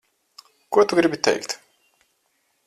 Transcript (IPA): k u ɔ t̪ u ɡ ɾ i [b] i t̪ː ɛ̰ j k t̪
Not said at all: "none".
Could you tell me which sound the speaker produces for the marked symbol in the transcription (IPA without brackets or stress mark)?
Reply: b